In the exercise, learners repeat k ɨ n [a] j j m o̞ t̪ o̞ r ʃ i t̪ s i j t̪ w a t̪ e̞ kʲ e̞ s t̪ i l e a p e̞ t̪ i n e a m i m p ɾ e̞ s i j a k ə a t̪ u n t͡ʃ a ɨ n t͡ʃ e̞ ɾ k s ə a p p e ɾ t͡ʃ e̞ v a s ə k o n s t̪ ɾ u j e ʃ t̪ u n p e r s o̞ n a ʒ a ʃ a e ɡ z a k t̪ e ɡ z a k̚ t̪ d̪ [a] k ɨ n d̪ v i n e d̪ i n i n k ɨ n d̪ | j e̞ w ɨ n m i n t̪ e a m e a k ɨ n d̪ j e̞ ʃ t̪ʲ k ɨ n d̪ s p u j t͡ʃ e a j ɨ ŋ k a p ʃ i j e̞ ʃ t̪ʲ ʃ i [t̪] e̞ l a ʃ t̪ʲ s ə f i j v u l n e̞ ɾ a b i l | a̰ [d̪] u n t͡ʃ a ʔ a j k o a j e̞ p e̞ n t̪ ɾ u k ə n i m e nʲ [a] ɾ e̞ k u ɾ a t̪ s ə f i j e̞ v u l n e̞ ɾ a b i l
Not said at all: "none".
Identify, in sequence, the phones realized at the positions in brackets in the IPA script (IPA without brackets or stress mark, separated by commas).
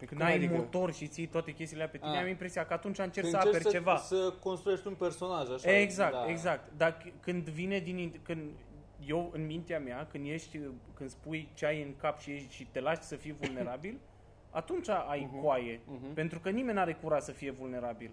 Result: a, a, t̪, t̪, a